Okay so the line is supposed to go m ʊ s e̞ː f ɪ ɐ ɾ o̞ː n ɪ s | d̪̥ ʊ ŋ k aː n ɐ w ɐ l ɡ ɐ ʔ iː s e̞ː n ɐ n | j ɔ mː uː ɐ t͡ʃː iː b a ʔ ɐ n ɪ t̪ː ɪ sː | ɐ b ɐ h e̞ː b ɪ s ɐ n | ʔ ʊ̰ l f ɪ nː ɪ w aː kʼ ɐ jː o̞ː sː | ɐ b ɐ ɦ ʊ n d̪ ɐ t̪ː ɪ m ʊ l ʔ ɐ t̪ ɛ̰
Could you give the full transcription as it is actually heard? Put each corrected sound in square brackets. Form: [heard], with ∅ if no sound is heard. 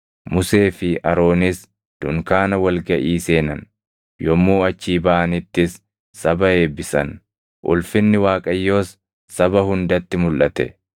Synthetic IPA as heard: m ʊ s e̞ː f ɪ ɐ ɾ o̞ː n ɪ s | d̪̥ ʊ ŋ k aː n ɐ w ɐ l ɡ ɐ ʔ iː s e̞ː n ɐ n | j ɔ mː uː ɐ t͡ʃː iː b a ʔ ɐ n ɪ t̪ː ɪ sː | ɐ b ɐ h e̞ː b ɪ s ɐ n | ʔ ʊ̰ l f ɪ nː ɪ w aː kʼ ɐ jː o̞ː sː | ɐ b ɐ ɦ ʊ n d̪ ɐ t̪ː ɪ m ʊ l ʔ ɐ t̪ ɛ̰